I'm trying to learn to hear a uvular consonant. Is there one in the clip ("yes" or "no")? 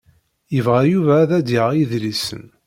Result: yes